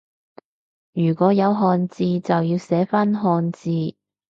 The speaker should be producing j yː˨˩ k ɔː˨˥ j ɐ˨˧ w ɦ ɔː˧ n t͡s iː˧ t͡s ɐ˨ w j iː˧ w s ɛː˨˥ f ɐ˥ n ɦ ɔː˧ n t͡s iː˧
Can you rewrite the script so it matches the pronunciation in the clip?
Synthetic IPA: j yː˨˩ k ɔː˨˥ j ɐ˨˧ w ɦ ɔː˧ n t͡s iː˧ t͡s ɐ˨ w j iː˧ w s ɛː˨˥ f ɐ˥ n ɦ ɔː˧ n t͡s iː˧